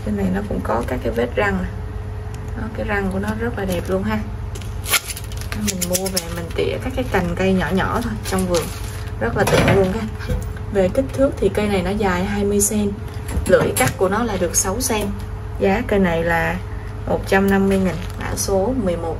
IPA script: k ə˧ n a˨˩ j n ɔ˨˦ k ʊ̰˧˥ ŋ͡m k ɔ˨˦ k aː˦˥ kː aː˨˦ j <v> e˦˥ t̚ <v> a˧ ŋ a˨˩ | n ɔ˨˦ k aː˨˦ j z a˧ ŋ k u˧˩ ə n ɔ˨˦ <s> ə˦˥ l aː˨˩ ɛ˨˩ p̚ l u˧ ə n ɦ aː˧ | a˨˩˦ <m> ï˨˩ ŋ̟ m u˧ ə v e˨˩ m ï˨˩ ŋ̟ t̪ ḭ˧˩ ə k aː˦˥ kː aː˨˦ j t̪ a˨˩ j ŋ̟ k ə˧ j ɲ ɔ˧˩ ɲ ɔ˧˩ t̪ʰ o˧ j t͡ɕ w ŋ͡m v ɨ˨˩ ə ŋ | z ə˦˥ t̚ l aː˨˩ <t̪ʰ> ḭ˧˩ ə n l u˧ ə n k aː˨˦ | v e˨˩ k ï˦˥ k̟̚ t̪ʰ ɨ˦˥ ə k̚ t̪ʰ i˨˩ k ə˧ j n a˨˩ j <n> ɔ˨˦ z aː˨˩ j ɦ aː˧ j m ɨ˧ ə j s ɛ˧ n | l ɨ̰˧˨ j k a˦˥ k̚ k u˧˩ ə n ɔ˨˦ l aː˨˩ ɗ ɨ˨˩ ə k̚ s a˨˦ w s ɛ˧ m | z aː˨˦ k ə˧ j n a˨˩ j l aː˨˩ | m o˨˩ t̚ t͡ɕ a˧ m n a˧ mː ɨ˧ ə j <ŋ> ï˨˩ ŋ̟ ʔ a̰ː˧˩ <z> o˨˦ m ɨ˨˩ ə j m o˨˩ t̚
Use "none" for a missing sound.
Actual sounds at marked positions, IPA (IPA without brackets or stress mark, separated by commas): v, z, z, m, t̪, n, ŋ, s